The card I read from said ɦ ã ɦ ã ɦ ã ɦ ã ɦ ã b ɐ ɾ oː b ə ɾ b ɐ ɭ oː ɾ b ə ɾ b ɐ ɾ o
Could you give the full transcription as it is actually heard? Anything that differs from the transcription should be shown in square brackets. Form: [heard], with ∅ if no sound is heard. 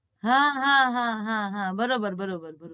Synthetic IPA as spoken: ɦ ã ɦ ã ɦ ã ɦ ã ɦ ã b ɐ ɾ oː b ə ɾ b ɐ [ɾ] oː [∅] b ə ɾ b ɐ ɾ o